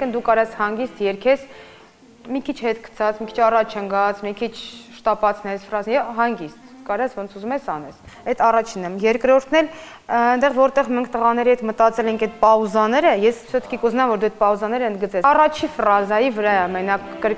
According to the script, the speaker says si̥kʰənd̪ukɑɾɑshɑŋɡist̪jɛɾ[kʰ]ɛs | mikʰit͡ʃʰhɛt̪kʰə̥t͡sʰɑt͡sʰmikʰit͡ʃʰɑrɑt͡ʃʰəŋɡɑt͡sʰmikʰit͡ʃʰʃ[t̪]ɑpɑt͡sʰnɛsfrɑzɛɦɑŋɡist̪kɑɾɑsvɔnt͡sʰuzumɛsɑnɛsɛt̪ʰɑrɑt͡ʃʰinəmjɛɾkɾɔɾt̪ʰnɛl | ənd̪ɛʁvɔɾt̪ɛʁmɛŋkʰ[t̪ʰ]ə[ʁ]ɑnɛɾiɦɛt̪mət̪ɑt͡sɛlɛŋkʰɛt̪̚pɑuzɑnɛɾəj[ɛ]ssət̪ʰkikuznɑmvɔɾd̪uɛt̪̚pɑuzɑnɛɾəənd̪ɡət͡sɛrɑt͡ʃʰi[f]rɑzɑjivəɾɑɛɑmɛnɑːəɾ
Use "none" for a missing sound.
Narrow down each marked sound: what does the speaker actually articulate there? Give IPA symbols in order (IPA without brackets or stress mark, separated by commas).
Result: kʰ, t̪, t̪, ʁ, ɛ, f